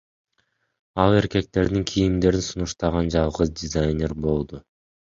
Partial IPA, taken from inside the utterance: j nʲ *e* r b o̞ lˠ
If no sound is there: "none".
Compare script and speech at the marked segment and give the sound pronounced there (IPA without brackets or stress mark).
e